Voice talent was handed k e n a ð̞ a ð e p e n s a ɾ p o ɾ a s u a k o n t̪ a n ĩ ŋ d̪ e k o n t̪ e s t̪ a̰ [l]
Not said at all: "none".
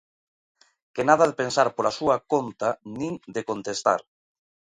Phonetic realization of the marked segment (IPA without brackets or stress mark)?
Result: ɾ